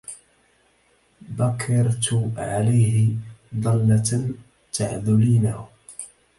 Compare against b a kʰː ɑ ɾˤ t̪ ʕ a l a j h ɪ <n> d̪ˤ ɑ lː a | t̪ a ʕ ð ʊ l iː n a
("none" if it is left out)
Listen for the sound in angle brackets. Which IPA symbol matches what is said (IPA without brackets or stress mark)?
none